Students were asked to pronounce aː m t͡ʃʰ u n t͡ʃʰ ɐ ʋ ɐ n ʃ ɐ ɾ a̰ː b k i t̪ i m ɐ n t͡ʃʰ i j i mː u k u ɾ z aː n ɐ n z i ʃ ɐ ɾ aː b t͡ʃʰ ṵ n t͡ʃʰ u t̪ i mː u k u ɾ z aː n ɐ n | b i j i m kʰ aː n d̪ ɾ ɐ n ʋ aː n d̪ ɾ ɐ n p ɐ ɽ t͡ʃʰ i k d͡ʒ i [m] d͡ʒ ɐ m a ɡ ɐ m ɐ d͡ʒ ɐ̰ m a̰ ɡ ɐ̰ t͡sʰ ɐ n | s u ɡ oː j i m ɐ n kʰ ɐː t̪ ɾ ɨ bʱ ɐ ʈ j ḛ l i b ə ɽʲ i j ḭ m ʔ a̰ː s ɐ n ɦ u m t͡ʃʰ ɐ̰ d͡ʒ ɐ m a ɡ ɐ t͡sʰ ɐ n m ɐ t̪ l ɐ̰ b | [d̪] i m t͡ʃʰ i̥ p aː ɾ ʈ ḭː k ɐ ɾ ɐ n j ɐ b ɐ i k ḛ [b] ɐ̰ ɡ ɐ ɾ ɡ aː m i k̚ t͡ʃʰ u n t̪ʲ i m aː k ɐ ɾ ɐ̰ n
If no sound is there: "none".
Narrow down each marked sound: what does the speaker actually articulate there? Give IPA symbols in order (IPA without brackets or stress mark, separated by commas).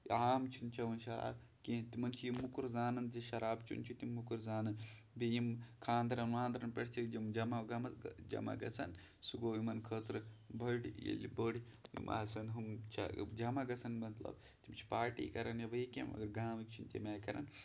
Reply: m, t̪, m